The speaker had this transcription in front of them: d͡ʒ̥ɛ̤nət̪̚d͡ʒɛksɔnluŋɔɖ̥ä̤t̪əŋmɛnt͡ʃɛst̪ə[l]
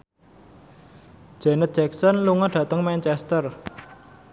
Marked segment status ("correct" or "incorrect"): incorrect